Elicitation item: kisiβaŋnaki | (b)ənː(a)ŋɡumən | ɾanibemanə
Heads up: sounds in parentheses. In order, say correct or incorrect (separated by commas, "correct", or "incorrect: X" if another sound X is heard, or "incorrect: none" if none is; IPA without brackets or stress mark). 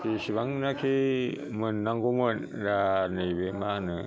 incorrect: m, correct